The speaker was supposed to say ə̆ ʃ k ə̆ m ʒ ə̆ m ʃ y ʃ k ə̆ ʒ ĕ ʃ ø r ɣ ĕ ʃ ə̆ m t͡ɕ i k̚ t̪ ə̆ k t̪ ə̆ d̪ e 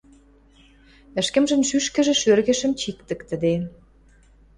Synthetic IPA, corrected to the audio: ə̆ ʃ k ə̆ m ʒ ə̆ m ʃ y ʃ k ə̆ ʒ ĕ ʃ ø r ɣ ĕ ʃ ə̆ m t͡ɕ i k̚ t̪ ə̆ k t̪ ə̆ d̪ e